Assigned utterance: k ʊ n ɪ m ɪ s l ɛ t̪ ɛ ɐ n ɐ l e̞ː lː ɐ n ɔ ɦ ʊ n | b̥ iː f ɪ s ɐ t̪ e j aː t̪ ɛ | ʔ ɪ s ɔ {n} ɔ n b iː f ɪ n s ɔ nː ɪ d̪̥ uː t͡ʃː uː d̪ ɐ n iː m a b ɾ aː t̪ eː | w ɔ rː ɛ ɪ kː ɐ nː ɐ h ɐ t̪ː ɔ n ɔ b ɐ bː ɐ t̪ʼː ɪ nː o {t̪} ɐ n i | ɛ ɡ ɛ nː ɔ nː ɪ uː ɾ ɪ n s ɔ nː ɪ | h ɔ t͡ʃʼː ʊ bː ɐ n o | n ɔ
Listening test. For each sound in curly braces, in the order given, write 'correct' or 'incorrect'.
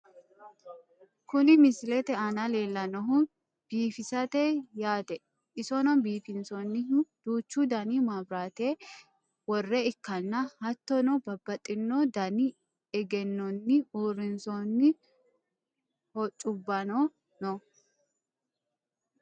correct, incorrect: d̪

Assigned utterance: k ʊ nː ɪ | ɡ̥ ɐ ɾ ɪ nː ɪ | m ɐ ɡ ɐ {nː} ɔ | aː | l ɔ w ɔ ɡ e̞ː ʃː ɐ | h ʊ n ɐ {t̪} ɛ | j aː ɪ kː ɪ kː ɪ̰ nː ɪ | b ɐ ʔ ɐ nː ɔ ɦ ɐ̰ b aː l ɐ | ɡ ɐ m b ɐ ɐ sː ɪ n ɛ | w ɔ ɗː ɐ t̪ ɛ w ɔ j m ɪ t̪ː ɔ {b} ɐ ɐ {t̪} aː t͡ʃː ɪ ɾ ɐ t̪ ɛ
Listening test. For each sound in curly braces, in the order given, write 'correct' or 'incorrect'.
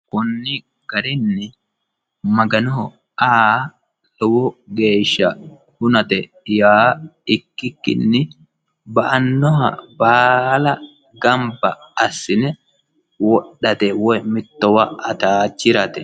incorrect: n, correct, incorrect: w, correct

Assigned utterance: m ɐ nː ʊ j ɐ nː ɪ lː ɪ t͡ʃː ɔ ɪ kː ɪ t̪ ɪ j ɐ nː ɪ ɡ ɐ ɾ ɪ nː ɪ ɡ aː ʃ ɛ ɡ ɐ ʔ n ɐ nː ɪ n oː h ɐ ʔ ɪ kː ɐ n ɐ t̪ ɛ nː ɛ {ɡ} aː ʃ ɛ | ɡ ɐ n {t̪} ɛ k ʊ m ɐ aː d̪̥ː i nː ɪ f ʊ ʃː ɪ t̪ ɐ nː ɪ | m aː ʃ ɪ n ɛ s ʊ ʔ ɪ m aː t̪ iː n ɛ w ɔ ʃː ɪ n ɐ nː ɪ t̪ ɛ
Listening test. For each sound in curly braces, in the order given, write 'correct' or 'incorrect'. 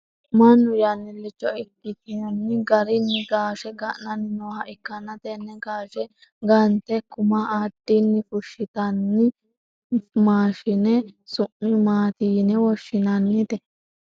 correct, correct

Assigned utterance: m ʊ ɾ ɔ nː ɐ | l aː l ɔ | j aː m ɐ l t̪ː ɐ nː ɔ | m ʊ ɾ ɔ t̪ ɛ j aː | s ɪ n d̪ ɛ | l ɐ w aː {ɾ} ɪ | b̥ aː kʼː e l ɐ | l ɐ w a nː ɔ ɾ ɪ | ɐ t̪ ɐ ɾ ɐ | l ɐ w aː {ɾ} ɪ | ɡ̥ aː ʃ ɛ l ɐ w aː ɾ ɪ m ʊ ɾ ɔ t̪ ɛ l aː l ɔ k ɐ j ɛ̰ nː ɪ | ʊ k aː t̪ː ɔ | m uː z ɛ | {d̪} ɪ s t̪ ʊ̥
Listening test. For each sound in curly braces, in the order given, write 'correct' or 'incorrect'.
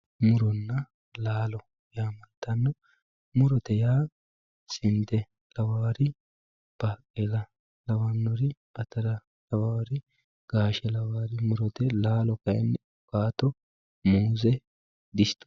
correct, correct, correct

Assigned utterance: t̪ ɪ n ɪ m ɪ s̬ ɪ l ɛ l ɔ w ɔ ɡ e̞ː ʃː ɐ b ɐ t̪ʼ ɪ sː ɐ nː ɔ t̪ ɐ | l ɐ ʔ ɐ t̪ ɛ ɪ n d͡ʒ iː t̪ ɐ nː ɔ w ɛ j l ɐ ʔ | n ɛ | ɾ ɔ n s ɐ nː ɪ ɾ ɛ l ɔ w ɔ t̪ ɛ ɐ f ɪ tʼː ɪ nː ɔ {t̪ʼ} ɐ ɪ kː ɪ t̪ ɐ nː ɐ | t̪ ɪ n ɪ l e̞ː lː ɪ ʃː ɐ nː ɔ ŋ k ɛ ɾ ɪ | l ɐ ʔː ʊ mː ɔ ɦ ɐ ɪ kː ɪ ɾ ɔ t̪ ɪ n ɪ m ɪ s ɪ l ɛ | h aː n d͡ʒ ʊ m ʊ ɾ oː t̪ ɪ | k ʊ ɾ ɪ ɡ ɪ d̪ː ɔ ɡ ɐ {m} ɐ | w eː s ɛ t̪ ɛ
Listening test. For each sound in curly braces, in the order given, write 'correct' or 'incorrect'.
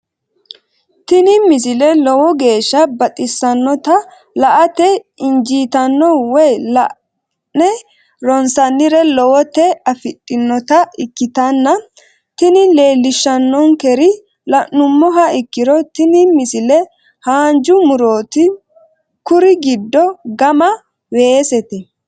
incorrect: t̪, correct

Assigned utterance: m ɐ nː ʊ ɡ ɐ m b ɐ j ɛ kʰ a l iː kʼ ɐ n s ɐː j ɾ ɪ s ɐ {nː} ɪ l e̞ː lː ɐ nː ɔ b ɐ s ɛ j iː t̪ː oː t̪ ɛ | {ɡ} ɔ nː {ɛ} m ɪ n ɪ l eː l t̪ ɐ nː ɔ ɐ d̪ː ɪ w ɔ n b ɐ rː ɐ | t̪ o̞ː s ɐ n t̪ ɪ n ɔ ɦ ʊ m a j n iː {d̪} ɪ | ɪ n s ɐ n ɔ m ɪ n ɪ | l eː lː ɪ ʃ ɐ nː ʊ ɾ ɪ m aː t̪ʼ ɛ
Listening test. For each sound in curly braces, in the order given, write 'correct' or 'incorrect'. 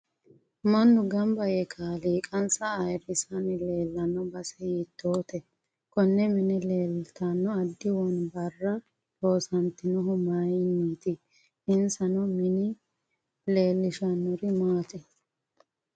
incorrect: n, incorrect: k, correct, incorrect: t̪

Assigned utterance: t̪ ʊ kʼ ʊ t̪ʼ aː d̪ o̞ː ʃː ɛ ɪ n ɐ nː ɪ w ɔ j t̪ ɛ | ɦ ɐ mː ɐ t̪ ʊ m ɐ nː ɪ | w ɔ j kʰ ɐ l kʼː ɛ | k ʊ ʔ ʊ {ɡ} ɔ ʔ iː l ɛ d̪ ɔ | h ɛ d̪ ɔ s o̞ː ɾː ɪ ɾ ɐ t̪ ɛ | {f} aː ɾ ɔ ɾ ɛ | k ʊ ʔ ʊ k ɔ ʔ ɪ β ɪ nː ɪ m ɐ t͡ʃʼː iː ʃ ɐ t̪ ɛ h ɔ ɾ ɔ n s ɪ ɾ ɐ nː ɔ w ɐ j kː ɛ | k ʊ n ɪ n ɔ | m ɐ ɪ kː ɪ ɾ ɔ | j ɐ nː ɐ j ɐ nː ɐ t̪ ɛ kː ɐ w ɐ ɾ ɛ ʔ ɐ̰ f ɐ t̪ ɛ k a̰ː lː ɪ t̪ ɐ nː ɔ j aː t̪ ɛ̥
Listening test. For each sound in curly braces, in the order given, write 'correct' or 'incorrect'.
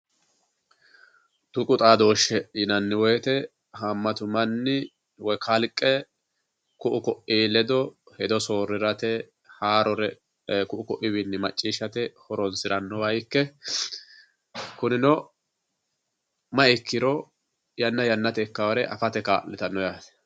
incorrect: k, incorrect: h

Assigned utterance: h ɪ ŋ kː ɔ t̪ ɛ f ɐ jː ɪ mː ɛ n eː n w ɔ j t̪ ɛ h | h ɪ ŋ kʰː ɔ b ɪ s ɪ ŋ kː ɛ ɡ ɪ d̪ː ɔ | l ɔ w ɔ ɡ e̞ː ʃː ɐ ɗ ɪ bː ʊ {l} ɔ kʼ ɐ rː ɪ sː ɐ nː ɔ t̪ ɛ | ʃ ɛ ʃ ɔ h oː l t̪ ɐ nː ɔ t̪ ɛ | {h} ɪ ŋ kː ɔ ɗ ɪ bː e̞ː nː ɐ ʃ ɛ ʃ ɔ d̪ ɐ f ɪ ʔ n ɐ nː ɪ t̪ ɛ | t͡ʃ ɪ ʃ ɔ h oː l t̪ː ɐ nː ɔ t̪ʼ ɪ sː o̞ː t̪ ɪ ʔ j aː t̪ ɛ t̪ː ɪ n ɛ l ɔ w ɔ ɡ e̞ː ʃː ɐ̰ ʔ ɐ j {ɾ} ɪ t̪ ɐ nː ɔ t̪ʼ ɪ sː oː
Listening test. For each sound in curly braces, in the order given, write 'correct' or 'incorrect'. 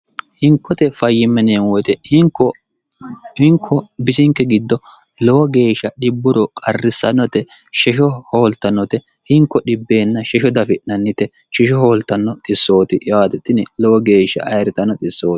incorrect: ɾ, correct, correct

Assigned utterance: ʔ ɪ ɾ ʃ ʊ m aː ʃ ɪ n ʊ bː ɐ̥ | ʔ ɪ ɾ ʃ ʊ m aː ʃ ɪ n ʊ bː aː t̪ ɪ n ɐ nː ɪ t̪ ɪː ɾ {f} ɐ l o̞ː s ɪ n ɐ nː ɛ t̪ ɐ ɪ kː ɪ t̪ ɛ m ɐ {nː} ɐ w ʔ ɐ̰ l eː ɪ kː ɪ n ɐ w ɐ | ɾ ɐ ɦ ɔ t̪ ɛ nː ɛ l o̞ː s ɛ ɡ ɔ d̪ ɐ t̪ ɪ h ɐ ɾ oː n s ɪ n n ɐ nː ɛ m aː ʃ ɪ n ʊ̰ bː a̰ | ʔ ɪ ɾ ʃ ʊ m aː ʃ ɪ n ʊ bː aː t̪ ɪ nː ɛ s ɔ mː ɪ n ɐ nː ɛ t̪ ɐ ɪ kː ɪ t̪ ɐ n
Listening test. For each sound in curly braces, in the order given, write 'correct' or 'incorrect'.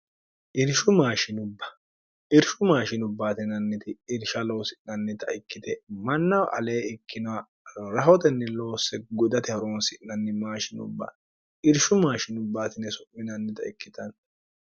incorrect: ʃ, correct

